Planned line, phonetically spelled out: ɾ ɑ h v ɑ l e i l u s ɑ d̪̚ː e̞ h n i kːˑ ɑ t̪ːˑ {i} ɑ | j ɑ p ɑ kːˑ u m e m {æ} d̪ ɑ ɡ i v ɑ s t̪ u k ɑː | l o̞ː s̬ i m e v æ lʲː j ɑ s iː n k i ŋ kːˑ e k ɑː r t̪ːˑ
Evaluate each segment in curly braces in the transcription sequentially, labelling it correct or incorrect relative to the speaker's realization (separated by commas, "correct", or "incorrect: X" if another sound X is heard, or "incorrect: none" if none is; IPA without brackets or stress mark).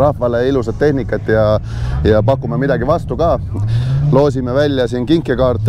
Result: incorrect: j, incorrect: i